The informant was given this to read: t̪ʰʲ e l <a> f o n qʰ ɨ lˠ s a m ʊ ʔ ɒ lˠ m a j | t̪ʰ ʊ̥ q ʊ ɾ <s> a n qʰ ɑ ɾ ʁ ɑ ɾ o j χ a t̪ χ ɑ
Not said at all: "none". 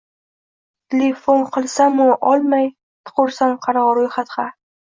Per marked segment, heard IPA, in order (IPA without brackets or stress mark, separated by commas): e, s